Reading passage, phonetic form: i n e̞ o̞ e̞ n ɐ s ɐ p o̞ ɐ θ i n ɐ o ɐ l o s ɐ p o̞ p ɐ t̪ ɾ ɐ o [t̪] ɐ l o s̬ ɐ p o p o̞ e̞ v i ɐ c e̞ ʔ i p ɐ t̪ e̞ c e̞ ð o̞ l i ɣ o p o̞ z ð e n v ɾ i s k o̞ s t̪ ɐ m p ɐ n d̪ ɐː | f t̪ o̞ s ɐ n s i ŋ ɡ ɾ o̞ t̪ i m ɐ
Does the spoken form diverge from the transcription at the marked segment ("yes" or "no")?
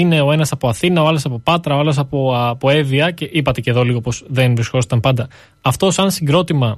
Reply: yes